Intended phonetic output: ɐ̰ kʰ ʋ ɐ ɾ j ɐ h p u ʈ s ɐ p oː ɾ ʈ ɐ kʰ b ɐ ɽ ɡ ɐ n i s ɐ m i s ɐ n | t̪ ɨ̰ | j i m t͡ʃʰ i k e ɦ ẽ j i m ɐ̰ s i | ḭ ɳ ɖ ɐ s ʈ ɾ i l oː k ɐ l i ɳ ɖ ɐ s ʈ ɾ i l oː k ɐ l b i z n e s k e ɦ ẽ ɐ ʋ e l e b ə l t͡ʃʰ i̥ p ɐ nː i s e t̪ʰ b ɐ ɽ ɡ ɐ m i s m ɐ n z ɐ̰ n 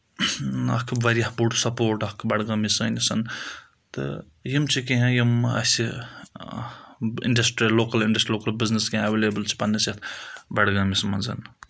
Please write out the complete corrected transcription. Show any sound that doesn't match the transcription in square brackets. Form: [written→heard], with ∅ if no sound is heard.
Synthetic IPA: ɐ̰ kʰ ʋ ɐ ɾ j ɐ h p u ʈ s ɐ p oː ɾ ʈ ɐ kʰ b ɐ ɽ ɡ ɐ [n→m] i s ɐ [m→n] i s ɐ n | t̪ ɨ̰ | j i m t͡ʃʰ i k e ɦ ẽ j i m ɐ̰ s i | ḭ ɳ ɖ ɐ s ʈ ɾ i l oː k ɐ l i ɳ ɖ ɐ s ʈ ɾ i l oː k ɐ l b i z n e s k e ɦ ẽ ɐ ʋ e l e b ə l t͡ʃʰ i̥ p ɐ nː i s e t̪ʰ b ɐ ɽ ɡ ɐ m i s m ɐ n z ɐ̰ n